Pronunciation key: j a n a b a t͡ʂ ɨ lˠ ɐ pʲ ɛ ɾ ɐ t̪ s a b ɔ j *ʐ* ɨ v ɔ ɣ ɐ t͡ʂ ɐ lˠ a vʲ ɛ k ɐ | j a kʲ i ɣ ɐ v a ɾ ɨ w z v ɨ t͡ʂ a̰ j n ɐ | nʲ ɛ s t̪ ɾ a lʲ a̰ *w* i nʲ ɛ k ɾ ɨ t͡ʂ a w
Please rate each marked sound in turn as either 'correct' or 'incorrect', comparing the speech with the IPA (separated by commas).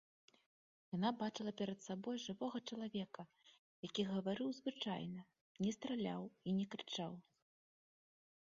correct, correct